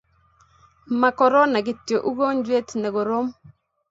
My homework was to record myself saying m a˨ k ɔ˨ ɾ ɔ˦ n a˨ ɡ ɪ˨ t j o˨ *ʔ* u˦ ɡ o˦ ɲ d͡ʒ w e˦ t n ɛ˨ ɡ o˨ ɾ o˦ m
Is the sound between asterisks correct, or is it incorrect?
correct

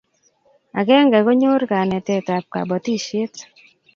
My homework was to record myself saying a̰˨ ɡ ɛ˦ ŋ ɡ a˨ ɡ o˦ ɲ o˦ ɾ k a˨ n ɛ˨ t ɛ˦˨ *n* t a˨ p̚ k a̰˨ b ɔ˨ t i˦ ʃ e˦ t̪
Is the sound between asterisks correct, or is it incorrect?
incorrect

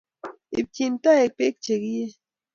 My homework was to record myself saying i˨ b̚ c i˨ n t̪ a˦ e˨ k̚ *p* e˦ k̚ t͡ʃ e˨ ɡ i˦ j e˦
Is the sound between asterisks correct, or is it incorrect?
correct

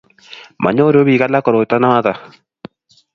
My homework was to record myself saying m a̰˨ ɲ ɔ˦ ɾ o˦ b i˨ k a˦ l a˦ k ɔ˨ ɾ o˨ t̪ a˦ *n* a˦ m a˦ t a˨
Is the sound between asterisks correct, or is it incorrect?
correct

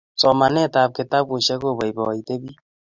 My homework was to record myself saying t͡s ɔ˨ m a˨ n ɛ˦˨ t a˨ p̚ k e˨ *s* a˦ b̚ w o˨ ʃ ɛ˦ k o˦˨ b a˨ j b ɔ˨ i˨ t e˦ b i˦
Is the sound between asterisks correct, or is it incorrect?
incorrect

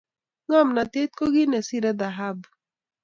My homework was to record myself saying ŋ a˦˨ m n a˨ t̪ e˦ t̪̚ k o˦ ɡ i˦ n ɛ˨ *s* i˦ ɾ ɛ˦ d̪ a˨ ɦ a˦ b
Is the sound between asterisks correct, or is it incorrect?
correct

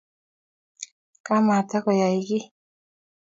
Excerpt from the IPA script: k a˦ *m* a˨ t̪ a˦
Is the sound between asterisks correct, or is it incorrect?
correct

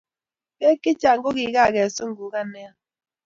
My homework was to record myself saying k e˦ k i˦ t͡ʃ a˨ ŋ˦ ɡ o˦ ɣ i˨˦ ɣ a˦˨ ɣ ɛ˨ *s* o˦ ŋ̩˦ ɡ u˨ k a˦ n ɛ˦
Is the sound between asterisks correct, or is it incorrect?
correct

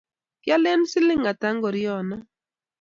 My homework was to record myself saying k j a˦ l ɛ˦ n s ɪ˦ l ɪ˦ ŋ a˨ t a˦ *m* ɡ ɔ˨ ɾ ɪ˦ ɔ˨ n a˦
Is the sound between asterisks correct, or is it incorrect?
incorrect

